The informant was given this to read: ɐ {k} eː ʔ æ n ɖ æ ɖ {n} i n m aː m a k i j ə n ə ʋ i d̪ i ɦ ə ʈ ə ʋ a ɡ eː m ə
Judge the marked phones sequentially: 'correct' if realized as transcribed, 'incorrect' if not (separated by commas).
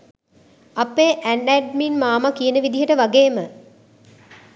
incorrect, incorrect